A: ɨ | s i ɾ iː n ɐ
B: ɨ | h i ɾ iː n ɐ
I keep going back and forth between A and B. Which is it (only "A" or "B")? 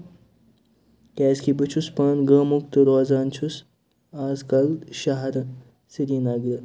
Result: A